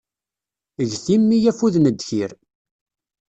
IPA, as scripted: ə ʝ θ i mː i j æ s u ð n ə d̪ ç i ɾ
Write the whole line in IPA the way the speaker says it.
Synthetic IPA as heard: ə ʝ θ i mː i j æ f u ð n ə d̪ ç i ɾ